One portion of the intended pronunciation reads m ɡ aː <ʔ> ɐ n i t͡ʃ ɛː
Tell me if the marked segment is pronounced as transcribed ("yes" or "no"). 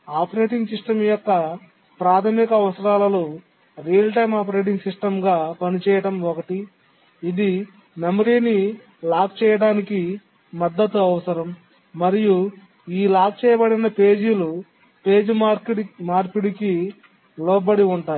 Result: no